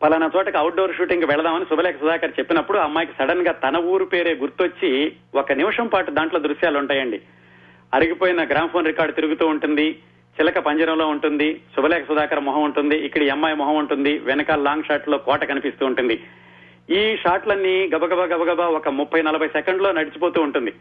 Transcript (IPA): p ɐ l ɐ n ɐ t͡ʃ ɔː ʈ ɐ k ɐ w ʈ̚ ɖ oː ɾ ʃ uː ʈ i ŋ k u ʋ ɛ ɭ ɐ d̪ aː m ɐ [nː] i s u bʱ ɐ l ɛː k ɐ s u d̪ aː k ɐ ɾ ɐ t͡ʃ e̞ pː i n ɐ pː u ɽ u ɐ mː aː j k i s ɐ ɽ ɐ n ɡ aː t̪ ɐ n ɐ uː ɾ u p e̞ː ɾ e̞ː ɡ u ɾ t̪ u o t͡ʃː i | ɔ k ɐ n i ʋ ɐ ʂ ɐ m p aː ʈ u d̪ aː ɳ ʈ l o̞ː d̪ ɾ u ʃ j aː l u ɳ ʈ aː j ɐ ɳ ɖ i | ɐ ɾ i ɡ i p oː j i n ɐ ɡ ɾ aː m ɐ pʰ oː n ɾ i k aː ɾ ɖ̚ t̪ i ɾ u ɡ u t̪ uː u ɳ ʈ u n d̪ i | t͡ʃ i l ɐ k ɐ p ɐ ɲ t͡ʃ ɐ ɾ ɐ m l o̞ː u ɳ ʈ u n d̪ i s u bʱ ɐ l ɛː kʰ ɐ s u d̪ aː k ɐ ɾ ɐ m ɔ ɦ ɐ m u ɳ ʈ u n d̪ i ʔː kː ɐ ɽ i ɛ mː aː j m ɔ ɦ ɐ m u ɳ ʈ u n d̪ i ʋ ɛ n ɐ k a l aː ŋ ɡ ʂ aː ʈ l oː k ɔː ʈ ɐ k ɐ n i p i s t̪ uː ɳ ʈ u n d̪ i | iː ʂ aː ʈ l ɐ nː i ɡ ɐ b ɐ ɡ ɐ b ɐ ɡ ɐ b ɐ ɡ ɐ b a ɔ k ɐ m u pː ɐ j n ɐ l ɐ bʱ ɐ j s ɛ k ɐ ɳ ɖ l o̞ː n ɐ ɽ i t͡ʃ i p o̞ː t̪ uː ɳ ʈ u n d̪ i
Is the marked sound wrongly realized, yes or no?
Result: yes